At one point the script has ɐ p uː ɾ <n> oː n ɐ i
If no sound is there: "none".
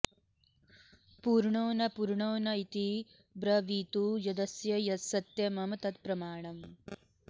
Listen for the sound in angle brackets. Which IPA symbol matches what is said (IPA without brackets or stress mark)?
ɳ